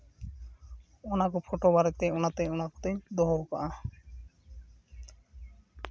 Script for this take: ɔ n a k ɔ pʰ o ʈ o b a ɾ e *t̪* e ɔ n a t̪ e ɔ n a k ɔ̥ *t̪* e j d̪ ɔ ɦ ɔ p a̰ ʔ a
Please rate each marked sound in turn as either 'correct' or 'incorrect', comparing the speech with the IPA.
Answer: correct, correct

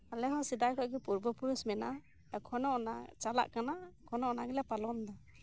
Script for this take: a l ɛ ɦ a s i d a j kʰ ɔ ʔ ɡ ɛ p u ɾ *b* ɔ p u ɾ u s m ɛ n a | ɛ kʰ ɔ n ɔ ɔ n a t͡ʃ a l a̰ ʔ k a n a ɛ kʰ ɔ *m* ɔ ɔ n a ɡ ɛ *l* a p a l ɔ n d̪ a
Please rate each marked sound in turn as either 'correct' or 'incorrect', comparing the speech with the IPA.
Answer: correct, incorrect, correct

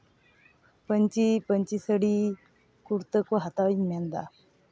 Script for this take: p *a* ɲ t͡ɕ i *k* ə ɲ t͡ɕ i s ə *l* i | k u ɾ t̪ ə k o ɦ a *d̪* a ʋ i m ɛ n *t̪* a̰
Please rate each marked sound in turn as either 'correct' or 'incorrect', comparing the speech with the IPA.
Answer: incorrect, incorrect, incorrect, incorrect, incorrect

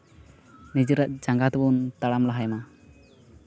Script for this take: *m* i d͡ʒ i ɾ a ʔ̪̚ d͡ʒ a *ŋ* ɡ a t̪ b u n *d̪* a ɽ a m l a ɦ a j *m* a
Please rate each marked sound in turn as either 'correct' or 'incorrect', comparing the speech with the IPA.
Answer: incorrect, correct, incorrect, correct

